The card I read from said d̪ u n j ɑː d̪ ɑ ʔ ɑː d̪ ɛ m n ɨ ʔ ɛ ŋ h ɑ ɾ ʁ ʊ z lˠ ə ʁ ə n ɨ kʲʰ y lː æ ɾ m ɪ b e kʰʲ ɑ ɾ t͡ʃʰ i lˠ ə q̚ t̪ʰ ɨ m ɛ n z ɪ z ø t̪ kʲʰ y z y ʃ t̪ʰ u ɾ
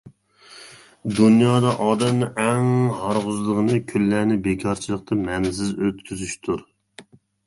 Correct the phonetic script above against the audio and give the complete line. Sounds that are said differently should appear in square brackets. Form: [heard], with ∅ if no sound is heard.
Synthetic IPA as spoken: d̪ u n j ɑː d̪ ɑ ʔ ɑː d̪ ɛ m n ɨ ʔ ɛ ŋ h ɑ ɾ ʁ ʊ z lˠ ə ʁ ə n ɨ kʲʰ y lː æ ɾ [n] ɪ b e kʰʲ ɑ ɾ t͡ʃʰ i lˠ ə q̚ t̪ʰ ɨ m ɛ n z ɪ z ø t̪ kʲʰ y z y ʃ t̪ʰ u ɾ